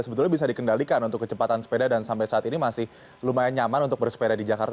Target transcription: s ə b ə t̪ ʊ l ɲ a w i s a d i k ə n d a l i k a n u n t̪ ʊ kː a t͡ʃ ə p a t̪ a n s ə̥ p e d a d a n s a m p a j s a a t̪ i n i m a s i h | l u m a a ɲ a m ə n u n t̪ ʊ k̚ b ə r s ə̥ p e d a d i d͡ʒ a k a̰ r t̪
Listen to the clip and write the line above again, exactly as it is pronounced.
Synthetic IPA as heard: s ə b ə t̪ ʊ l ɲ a b i s a d i k ə n d a l i k a n u n t̪ ʊ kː ə t͡ʃ ə p a t̪ a n s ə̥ p e d a d a n s a m p a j s a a t̪ i n i m a s ɪ h | l u m a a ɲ a m a n u n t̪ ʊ k̚ b ə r s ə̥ p e d a d i d͡ʒ a k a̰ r t̪